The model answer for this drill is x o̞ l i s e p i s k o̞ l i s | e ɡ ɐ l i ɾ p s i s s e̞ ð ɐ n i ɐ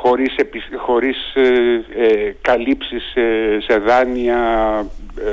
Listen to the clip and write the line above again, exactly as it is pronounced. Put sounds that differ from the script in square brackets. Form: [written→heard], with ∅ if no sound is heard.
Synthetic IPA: x o̞ [l→ɾ] i s e p i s [k→x] o̞ [l→ɾ] i s | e [ɡ→k] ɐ l i [ɾ→∅] p s i s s e̞ ð ɐ n i ɐ